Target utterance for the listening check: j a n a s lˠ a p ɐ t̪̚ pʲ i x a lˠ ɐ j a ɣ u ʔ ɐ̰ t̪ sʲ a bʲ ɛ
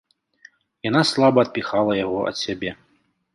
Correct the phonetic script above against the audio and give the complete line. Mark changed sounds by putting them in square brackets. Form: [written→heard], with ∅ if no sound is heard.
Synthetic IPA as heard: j a n a s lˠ a [p→b] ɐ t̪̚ pʲ i x a lˠ ɐ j a ɣ [u→ɔ] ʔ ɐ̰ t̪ sʲ a bʲ ɛ